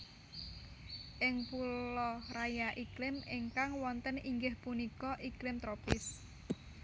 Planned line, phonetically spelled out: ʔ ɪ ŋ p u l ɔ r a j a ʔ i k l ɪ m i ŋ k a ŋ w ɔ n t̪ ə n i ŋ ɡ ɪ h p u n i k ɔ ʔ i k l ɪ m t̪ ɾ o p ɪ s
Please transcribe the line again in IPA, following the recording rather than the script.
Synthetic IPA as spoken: ʔ ɪ ŋ p u l ɔ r a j a ʔ i k l ɪ m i ŋ k a ŋ w ɔ n t̪ ə n i ŋ ɡ ɪ h p u n i k ɔ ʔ i k l ɪ m t̪ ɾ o p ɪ s

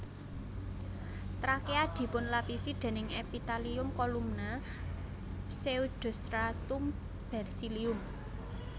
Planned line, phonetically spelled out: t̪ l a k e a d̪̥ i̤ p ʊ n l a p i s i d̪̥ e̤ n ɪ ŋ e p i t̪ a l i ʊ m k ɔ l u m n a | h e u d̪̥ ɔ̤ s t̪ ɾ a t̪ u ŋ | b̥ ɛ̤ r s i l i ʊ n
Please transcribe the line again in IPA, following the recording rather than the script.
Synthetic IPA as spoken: t̪ ɾ a k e a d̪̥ i̤ p ʊ n l a p i s i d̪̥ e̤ n ɪ ŋ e p i t̪ a l i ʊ m k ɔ l u m n a | s e u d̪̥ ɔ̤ s t̪ ɾ a t̪ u m | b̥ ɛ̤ r s i l i ʊ m

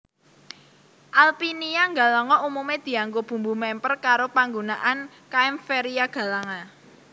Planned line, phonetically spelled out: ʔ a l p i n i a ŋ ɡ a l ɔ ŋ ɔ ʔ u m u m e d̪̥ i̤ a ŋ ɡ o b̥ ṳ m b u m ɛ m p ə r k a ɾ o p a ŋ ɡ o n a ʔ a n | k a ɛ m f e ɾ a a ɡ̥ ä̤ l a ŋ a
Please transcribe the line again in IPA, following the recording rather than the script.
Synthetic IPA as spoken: ʔ a l p i n i a ŋ ɡ a l ɔ ŋ ɔ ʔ u m u m e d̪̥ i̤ a ŋ ɡ o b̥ ṳ m b u m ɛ m p ə r k a ɾ o p a ŋ ɡ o n a ʔ a n | k a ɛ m f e ɾ i a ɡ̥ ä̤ l a ŋ a

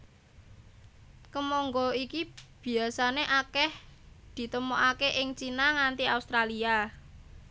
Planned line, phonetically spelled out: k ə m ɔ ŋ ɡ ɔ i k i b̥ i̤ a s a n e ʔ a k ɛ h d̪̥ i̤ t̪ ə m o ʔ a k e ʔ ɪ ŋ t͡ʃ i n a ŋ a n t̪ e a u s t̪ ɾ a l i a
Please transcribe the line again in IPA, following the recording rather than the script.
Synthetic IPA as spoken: k ə m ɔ ŋ ɡ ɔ i k i b̥ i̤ a s a n e ʔ a k ɛ h d̪̥ i̤ t̪ ə m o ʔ a k e ʔ ɪ ŋ t͡ʃ i n a ŋ a n t̪ i a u s t̪ ɾ a l i a

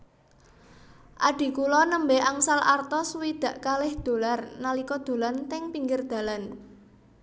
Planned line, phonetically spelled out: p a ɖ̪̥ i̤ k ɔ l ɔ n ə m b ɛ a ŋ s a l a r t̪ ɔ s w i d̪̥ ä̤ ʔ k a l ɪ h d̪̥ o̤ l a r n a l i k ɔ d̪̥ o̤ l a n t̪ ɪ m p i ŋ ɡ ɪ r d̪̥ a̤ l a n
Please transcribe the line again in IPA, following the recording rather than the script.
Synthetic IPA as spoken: ʔ a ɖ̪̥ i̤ k u l ɔ n ə m b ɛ a ŋ s a l a r t̪ ɔ s w i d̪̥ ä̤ ʔ k a l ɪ h d̪̥ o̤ l a r n a l i k ɔ d̪̥ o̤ l a n t̪ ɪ ŋ p i ŋ ɡ ɪ r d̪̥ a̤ l a n

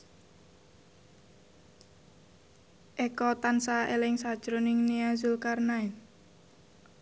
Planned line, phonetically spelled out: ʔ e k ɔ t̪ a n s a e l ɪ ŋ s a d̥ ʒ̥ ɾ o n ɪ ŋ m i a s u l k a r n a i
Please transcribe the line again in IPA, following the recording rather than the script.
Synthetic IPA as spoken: ʔ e k ɔ t̪ a n s a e l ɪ ŋ s a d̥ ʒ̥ ɾ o n ɪ ŋ n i a z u l k a r n a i

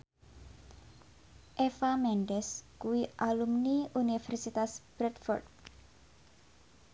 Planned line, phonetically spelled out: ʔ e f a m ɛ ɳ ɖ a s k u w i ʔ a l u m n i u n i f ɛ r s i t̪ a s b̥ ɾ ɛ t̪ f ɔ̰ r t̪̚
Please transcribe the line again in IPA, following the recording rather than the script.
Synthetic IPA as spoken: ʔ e f a m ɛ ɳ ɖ ɛ s k u w i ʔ a l u m n i u n i f ɛ r s i t̪ a s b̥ ɾ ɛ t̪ f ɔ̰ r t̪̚

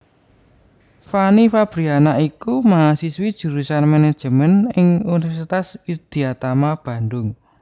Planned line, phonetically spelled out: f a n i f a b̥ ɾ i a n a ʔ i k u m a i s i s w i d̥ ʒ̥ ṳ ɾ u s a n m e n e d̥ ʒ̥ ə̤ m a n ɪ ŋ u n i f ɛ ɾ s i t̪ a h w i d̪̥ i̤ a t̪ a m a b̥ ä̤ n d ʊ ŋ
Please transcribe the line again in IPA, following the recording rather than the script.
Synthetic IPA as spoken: f a n i f a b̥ ɾ i a n a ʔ i k u m a a s i s w i d̥ ʒ̥ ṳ ɾ u s a n m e n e d̥ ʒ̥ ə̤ m ə n ɪ ŋ u n i f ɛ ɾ s i t̪ a s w i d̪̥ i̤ a t̪ a m a b̥ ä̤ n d ʊ ŋ

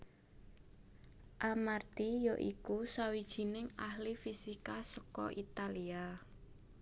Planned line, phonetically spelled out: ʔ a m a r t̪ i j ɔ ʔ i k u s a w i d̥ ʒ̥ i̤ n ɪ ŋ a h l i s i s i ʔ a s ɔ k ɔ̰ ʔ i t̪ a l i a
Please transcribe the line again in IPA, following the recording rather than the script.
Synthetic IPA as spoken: ʔ a m a r t̪ i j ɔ ʔ i k u s a w i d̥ ʒ̥ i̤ n ɪ ŋ a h l i f i s i k a s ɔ k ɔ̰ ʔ i t̪ a l i a

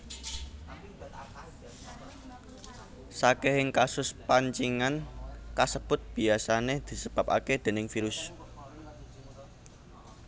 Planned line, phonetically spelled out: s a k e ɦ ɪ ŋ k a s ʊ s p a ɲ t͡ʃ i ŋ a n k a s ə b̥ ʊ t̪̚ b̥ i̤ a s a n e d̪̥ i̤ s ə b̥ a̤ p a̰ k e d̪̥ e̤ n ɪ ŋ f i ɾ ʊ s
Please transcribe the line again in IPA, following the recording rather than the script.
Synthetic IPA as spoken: s a k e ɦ ɪ ŋ k a s ʊ s p a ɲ t͡ʃ i ŋ a n k a s ə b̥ ʊ t̪̚ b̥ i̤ a s a n e d̪̥ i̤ s ə b̥ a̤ p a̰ k e d̪̥ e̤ n ɪ ŋ f i ɾ ʊ s

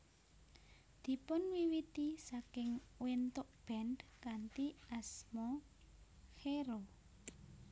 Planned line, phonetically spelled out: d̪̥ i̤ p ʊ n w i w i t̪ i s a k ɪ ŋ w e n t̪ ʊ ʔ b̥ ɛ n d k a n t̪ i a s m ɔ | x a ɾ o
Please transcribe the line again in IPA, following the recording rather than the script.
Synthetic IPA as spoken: d̪̥ i̤ p ʊ n w i w i t̪ i s a k ɪ ŋ w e n t̪ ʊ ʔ b̥ ɛ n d k a n t̪ i a s m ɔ | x e ɾ o

